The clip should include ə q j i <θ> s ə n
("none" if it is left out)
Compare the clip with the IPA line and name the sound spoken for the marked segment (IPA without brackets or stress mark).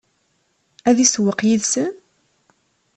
ð